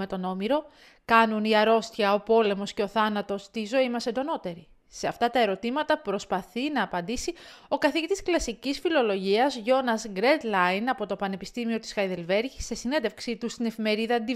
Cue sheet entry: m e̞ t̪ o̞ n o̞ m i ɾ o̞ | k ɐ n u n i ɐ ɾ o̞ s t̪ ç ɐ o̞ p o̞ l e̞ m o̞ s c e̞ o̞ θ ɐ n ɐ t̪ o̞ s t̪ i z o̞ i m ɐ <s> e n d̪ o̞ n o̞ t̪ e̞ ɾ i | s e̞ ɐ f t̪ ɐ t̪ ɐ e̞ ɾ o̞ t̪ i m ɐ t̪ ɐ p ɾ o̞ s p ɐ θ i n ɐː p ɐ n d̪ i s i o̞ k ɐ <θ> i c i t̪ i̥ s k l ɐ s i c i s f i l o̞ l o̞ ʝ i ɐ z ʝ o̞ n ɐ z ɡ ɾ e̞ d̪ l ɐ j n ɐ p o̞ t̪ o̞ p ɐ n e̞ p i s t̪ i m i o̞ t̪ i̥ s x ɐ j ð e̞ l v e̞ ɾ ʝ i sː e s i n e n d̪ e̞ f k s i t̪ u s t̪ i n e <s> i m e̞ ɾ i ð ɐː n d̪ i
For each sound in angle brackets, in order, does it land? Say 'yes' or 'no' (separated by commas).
yes, yes, no